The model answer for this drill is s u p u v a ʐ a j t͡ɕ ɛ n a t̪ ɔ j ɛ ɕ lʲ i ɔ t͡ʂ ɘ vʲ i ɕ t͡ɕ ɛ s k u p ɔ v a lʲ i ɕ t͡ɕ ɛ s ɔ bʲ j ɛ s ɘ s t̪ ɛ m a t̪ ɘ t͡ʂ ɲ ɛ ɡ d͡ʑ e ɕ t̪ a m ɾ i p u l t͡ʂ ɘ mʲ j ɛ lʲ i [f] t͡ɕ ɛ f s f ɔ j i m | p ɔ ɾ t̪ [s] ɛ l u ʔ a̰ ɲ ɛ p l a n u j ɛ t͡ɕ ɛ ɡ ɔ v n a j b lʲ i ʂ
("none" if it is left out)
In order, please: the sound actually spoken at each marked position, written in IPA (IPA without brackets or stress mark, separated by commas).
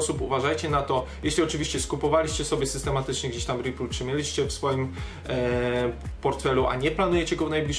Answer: ɕ, f